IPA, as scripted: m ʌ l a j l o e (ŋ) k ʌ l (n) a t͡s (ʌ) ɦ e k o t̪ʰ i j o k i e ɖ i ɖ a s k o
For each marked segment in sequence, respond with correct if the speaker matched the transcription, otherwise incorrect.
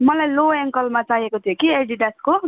correct, incorrect, incorrect

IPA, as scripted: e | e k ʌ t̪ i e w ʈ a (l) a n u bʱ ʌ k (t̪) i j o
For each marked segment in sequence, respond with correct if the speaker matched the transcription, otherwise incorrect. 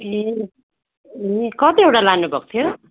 correct, incorrect

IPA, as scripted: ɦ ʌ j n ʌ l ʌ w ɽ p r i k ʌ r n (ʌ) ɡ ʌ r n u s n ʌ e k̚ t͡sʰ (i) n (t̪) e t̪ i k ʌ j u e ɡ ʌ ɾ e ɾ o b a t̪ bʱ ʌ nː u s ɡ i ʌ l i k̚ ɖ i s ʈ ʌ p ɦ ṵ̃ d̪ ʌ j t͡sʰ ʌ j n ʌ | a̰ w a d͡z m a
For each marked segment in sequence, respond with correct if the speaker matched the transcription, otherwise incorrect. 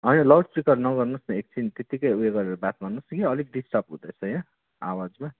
correct, correct, correct

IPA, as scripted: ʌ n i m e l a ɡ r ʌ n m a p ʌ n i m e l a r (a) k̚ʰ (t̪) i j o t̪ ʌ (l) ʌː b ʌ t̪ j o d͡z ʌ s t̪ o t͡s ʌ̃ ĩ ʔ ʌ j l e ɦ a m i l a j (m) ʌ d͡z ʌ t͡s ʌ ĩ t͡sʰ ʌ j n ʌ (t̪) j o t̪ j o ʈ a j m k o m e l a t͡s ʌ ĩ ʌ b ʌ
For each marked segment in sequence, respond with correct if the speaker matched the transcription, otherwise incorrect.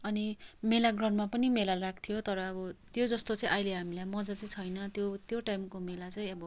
correct, incorrect, incorrect, correct, correct

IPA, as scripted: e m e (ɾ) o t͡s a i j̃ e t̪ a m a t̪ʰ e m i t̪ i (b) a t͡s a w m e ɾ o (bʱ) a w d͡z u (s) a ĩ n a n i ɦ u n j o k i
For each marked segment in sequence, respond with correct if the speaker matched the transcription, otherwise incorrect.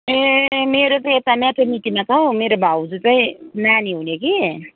correct, incorrect, correct, incorrect

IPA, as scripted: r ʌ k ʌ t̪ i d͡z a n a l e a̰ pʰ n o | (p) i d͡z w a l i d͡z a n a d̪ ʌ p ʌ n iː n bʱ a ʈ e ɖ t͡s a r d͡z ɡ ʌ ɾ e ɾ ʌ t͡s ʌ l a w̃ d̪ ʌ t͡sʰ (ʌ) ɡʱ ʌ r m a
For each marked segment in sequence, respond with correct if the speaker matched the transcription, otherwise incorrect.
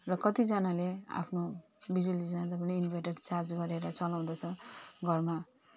incorrect, correct

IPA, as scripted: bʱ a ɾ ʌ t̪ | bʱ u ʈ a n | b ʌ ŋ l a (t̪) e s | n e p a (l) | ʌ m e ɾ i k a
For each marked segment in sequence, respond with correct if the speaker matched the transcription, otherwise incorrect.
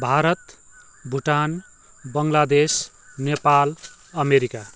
incorrect, correct

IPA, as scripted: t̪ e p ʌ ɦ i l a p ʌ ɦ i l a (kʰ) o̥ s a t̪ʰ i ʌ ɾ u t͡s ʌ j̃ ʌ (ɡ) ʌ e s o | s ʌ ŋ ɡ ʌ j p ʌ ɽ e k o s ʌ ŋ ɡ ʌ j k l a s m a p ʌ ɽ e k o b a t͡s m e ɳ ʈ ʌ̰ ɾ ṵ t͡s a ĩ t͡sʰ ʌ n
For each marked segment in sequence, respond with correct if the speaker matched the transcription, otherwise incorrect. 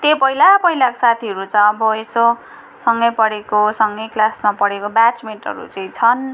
incorrect, incorrect

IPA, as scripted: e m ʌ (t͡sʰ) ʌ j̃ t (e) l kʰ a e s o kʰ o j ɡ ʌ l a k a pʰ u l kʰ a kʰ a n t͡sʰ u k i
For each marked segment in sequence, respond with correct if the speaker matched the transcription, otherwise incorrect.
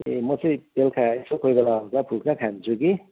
incorrect, correct

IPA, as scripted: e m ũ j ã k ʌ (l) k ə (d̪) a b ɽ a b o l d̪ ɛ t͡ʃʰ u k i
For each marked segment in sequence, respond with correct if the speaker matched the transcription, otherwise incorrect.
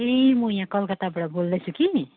correct, incorrect

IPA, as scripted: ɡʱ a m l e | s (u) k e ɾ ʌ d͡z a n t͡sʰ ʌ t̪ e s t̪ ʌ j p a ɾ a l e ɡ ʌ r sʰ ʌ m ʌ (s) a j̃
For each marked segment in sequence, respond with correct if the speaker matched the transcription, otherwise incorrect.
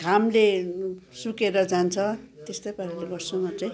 correct, incorrect

